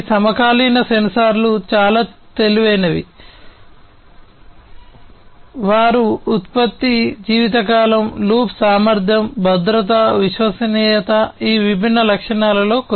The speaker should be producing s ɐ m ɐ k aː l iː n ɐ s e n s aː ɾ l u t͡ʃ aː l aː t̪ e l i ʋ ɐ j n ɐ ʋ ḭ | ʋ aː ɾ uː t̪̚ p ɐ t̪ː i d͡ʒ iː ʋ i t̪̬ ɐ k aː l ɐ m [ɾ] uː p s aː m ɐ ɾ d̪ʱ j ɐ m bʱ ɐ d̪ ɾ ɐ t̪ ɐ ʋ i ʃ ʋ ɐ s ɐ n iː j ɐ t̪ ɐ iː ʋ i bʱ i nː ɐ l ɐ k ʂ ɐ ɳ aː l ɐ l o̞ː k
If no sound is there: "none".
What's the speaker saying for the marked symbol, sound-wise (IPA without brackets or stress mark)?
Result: l